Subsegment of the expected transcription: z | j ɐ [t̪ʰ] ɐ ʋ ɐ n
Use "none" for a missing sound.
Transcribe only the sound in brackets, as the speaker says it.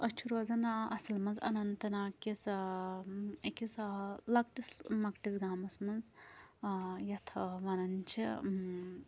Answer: t̪ʰ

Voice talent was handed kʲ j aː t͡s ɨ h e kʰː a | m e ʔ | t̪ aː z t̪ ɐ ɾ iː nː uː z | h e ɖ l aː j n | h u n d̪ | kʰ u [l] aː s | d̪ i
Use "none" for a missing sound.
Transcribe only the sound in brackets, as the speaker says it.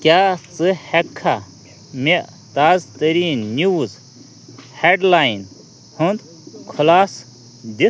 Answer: l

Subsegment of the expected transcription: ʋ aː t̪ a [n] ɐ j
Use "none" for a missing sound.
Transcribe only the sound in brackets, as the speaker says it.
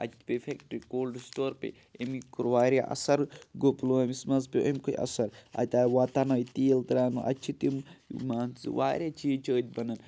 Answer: n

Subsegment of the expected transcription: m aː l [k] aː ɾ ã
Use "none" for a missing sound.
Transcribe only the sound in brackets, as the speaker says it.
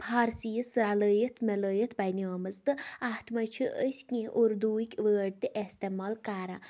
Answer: k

